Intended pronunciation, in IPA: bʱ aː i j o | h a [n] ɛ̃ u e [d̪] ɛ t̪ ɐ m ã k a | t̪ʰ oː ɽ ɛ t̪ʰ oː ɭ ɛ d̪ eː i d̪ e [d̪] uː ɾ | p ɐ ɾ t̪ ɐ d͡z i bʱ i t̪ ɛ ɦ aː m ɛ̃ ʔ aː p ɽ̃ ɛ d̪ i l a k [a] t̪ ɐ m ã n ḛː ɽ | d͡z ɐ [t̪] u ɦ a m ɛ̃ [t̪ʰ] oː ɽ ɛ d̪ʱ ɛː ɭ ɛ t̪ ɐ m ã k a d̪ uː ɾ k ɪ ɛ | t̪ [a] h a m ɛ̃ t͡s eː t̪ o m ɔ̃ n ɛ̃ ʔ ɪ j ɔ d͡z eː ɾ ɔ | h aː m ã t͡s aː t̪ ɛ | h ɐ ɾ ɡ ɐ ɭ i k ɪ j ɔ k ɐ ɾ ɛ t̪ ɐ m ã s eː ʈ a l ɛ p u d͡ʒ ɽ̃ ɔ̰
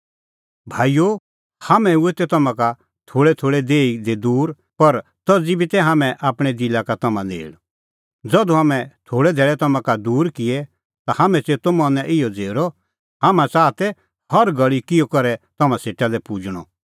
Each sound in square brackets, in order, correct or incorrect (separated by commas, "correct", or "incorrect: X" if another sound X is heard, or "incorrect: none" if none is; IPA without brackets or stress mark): incorrect: m, incorrect: t̪, correct, correct, incorrect: d̪, correct, correct